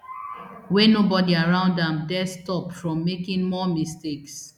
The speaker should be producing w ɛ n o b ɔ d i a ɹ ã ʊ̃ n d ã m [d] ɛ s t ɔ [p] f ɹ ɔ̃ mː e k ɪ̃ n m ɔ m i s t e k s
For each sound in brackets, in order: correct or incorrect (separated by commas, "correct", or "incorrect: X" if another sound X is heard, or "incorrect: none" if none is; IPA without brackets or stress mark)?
correct, correct